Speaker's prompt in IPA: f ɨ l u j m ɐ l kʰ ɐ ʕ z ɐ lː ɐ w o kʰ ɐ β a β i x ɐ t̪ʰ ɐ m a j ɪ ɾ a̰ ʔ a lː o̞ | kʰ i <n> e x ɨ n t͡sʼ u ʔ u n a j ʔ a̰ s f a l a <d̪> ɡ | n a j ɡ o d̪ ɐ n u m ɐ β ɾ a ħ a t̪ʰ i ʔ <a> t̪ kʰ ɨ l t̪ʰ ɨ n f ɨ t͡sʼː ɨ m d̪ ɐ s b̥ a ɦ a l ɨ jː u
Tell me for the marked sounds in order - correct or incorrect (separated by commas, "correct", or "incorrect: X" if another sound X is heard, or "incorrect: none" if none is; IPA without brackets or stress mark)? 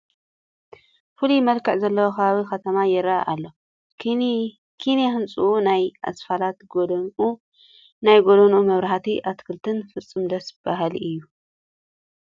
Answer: correct, incorrect: t̪, correct